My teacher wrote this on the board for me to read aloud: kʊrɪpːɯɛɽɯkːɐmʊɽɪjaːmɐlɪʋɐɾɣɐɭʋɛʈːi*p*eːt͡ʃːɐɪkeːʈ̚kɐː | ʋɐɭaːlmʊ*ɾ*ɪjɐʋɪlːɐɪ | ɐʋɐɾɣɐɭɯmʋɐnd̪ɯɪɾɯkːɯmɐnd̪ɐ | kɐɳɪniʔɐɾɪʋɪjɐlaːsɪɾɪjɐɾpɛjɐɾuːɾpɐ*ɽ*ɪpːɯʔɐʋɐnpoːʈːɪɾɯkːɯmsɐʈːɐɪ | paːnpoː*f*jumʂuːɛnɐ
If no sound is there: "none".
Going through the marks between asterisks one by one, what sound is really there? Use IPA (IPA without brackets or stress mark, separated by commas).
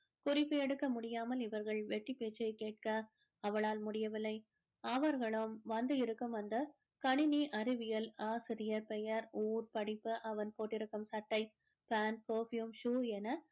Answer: p, ɽ, ɽ, f